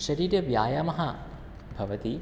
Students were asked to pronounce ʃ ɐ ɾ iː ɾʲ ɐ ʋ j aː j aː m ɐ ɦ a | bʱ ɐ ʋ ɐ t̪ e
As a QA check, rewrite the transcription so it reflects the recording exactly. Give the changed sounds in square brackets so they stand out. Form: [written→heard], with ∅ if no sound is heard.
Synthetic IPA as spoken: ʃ ɐ ɾ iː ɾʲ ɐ ʋ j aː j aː m ɐ ɦ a | bʱ ɐ ʋ ɐ t̪ [e→i]